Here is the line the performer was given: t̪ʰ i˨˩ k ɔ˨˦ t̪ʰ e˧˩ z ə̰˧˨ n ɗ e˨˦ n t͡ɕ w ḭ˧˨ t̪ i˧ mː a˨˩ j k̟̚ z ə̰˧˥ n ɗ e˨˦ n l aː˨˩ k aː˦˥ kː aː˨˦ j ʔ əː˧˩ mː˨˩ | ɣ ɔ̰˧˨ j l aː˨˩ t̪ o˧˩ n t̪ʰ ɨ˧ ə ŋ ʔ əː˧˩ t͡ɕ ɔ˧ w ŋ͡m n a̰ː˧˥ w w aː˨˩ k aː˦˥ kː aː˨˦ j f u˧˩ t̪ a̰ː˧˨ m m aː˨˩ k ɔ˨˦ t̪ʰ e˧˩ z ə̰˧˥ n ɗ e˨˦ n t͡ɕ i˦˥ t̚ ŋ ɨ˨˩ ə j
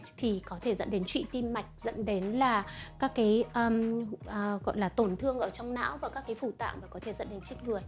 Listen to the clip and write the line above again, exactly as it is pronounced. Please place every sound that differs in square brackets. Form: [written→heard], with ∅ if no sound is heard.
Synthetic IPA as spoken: t̪ʰ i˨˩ k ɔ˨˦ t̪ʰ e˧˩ z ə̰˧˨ n ɗ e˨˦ n t͡ɕ w ḭ˧˨ t̪ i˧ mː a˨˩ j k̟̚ z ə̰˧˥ n ɗ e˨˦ n l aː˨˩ k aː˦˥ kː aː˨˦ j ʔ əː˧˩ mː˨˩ | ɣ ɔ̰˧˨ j l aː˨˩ t̪ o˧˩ n t̪ʰ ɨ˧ ə ŋ ʔ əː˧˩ t͡ɕ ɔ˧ w ŋ͡m n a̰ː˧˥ w [w→v] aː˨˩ k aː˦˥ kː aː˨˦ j f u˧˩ t̪ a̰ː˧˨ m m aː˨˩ k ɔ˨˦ t̪ʰ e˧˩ z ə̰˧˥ n ɗ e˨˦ n t͡ɕ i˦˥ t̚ ŋ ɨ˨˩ ə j